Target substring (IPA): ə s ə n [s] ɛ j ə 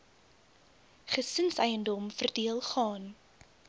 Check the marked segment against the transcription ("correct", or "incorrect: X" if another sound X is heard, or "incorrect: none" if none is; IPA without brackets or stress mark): correct